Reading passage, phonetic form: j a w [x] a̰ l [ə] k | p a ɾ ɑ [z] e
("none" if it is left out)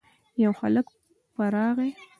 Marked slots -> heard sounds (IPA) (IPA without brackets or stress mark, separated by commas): x, ə, ɣ